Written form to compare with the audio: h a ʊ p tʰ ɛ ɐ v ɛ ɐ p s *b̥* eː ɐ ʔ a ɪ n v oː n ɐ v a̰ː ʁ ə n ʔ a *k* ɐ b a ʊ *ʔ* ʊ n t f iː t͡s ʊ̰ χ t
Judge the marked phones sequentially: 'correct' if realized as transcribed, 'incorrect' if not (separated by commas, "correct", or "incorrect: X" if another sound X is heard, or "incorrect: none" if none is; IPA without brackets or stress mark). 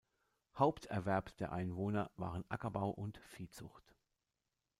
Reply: incorrect: d̥, correct, correct